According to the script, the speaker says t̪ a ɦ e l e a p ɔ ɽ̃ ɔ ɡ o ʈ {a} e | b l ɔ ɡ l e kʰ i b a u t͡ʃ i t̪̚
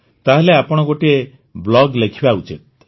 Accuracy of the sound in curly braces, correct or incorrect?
incorrect